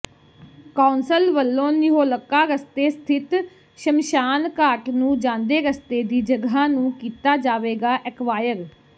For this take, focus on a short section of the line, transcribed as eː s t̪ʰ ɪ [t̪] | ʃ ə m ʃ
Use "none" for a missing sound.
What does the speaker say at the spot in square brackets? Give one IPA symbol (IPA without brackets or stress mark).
t̪